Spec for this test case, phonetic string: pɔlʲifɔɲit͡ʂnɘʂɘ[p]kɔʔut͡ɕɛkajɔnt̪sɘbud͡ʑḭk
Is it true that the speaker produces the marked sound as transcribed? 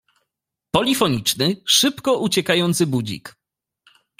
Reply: yes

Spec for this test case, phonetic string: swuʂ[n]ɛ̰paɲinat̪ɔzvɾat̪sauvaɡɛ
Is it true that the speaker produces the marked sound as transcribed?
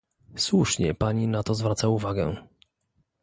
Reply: no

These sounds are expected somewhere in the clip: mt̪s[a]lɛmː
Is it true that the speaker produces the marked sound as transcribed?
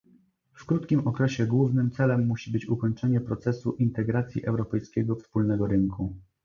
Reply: no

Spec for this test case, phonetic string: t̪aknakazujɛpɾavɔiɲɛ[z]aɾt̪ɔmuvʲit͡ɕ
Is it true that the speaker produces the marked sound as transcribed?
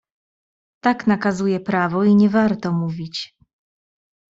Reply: no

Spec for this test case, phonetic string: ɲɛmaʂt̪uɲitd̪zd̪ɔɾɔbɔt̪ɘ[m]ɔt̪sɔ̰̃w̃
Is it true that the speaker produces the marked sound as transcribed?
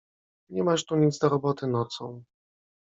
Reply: no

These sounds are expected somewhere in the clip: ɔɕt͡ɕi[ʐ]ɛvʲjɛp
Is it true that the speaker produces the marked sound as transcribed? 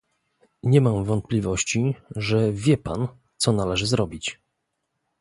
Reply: yes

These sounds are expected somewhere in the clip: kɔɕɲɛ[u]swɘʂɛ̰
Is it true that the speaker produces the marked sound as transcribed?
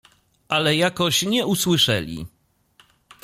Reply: yes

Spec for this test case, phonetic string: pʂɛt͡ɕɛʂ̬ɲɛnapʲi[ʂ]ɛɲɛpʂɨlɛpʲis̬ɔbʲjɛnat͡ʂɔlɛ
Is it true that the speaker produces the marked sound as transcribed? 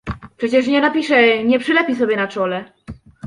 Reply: yes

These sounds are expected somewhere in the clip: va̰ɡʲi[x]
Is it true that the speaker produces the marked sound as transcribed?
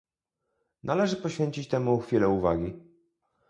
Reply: no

